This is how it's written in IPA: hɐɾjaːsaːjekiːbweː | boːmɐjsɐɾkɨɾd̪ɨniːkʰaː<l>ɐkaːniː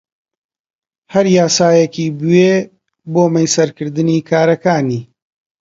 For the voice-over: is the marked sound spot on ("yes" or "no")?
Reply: no